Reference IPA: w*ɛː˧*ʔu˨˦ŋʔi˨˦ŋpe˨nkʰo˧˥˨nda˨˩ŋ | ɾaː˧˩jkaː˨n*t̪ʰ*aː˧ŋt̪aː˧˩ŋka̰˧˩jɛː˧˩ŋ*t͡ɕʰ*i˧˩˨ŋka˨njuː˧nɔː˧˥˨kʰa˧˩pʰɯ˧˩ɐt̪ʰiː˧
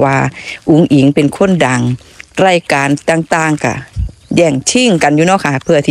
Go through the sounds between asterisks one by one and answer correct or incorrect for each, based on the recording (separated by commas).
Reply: incorrect, incorrect, correct